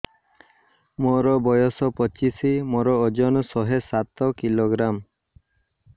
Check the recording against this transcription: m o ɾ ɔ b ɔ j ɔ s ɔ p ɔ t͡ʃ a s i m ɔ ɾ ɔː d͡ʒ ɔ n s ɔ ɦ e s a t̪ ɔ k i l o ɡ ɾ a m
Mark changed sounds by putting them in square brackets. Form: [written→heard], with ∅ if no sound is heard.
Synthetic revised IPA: m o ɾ ɔ b ɔ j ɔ s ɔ p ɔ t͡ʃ [a→i] s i m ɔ ɾ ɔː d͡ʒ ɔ n s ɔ ɦ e s a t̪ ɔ k i l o ɡ ɾ a m

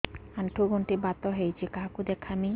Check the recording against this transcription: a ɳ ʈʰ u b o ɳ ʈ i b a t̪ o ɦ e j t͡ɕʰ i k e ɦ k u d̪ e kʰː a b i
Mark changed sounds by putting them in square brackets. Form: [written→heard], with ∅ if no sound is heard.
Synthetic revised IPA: a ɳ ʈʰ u [b→ɡ] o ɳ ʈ i b a t̪ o ɦ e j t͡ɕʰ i k [e→a] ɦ k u d̪ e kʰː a [b→m] i

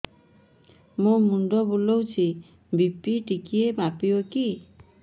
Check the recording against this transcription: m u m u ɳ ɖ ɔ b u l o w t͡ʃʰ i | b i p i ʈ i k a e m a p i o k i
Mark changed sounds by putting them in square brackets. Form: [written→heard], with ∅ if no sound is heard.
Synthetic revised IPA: m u m u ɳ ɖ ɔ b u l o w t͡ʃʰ i | b i p i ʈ i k [a→i] e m a p i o k i

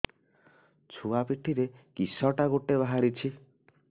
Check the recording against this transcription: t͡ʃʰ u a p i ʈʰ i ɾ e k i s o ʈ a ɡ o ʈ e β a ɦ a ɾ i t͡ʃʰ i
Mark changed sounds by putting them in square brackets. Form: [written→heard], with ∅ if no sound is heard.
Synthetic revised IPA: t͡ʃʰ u a p i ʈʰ i ɾ e k i s [o→ɔ] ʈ a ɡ o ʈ e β a ɦ a ɾ i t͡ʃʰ i

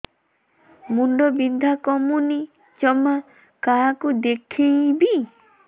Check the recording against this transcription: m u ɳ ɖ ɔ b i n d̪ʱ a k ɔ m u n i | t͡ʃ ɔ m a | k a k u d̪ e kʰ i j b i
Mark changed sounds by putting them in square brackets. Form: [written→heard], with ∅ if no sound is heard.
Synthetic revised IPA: m u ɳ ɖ ɔ b i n d̪ʱ a k ɔ m u n i | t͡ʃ ɔ m a | k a k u d̪ e kʰ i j b i

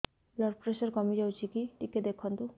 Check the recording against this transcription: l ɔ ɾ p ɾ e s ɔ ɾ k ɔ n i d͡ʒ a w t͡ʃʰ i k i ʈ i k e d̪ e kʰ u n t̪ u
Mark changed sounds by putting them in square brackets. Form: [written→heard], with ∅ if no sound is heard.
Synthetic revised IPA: l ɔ ɾ p ɾ e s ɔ ɾ k ɔ [n→m] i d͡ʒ a w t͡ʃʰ i k i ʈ i k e d̪ e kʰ [u→ɔ] n t̪ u

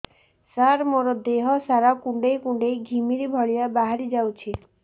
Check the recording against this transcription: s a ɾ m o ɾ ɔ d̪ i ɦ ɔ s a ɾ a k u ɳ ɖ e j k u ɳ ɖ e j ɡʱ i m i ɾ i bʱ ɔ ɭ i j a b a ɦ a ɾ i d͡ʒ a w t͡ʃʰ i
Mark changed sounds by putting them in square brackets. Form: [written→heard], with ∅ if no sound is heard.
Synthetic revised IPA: s a ɾ m o ɾ ɔ d̪ [i→e] ɦ ɔ s a ɾ a k u ɳ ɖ e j k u ɳ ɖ e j ɡʱ i m i ɾ i bʱ ɔ ɭ i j a b a ɦ a ɾ i d͡ʒ a w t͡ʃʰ i

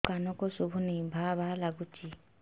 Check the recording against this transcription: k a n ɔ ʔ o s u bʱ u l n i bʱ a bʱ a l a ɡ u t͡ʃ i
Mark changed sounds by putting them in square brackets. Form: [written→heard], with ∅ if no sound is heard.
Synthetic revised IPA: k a n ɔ [ʔ→k] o s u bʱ u [l→∅] n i bʱ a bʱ a l a ɡ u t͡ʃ i

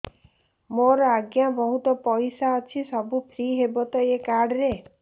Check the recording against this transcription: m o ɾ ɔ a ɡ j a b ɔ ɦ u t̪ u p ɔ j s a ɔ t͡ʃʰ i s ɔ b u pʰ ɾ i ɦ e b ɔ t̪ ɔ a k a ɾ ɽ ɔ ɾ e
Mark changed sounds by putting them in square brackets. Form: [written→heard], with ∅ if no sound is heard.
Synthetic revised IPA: m o ɾ ɔ a ɡ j a b ɔ ɦ u t̪ [u→ɔ] p ɔ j s a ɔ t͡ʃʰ i s ɔ b u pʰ ɾ i ɦ e b ɔ t̪ ɔ [a→e] k a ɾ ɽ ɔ ɾ e

